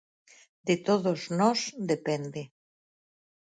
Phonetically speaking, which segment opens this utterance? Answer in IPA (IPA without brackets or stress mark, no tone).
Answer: d̪